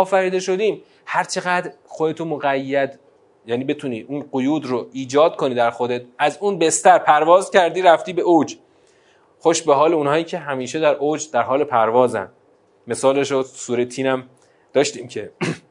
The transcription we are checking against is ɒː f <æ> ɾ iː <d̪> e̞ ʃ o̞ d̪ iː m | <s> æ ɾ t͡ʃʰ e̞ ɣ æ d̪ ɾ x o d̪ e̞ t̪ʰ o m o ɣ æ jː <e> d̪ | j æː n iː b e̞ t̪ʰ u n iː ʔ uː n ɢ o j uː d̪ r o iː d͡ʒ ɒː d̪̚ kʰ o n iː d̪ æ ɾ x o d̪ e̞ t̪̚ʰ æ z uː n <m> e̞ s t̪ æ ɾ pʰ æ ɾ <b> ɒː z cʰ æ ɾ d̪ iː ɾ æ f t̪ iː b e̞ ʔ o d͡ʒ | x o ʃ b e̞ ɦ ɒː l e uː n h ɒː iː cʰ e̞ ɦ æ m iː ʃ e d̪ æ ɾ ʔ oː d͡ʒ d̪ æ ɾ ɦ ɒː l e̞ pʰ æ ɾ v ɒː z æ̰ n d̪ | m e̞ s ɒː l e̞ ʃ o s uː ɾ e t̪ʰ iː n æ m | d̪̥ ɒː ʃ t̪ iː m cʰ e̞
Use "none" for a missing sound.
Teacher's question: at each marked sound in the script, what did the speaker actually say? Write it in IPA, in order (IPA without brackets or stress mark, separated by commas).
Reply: æ, d̪, h, æ, b, v